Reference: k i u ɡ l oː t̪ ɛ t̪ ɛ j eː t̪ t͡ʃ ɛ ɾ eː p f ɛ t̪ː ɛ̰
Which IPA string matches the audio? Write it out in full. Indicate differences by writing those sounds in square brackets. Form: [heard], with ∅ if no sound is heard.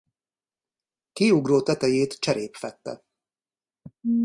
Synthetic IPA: k i u ɡ [r] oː t̪ ɛ t̪ ɛ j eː t̪ t͡ʃ ɛ ɾ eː p f ɛ t̪ː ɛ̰